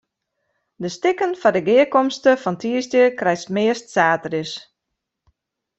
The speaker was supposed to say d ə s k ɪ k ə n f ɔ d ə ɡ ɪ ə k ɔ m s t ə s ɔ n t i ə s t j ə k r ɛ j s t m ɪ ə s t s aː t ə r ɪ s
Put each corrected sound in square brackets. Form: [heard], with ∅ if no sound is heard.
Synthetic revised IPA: d ə s [t] ɪ k ə n f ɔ d ə ɡ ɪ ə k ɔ m s t ə [f] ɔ n t i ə s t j ə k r ɛ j s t m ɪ ə s t s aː t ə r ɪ s